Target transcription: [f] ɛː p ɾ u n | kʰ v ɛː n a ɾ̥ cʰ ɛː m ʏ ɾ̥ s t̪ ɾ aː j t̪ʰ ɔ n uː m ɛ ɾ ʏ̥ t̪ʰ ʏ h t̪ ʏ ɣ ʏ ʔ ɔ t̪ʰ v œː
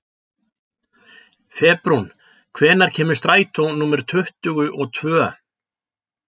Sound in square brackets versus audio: correct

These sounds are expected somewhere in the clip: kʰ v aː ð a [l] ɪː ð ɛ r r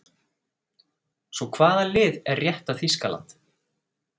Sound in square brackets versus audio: correct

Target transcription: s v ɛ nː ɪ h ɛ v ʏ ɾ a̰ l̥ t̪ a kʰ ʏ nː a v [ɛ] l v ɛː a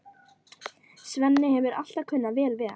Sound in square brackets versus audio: incorrect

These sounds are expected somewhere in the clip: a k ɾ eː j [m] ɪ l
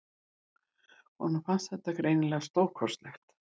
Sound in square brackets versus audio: incorrect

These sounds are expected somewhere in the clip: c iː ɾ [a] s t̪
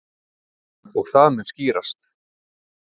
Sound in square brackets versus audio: correct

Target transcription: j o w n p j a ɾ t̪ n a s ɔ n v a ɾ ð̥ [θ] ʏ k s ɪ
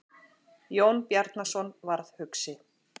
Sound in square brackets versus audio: incorrect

